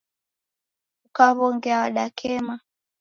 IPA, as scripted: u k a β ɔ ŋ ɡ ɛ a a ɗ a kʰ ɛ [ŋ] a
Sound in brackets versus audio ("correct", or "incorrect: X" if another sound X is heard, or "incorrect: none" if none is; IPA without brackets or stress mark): incorrect: m